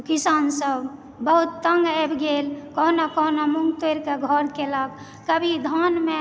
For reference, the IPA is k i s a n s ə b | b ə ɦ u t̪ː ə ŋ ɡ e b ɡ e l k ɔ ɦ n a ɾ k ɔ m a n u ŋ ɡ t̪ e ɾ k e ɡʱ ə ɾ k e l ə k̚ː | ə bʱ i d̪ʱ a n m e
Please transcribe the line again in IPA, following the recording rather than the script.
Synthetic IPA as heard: k i s a n s ə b | b ə ɦ u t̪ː ə ŋ ɡ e b ɡ e l k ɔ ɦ n a k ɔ n a m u ŋ ɡ t̪ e ɾ k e ɡʱ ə ɾ k e l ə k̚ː | ə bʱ i d̪ʱ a n m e